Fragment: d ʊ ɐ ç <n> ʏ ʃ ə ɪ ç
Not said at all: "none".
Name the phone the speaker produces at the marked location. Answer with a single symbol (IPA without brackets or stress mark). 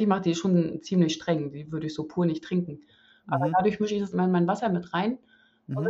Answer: m